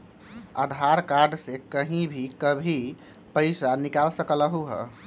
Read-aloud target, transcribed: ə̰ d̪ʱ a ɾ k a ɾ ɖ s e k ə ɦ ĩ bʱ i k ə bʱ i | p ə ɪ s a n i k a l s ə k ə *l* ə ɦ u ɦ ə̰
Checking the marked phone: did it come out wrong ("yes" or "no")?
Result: no